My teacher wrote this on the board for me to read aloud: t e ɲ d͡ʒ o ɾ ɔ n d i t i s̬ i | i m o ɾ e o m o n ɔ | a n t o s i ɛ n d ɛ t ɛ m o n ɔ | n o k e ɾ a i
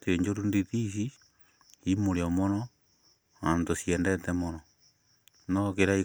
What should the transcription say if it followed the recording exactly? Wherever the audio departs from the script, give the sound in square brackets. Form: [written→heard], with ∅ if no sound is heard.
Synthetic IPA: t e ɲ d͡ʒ o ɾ [ɔ→u] n d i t i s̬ i | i m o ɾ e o m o n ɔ | a n t o s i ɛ n d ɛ t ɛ m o n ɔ | n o k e ɾ a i